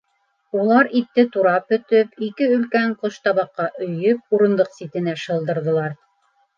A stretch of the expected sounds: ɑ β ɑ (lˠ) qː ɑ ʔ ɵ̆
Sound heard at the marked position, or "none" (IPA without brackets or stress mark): none